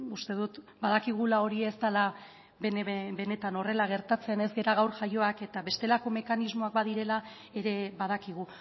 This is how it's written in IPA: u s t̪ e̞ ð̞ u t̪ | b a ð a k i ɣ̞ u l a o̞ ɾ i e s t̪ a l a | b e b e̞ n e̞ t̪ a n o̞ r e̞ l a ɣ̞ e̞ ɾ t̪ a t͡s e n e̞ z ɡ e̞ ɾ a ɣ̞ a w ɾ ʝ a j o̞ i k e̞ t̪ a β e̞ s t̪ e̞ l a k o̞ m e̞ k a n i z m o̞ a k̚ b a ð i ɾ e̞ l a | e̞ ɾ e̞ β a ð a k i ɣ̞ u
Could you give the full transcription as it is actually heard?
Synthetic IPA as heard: u s t̪ e̞ ð̞ u t̪ | b a ð a k i ɣ̞ u l a o̞ ɾ i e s t̪ a l a | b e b e̞ n e̞ t̪ a n o̞ r e̞ l a ɣ̞ e̞ ɾ t̪ a t͡s e n e̞ z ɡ e̞ ɾ a ɣ̞ a w ɾ ʝ a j o̞ a k e̞ t̪ a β e̞ s t̪ e̞ l a k o̞ m e̞ k a n i z m o̞ a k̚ b a ð i ɾ e̞ l a | e̞ ɾ e̞ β a ð a k i ɣ̞ u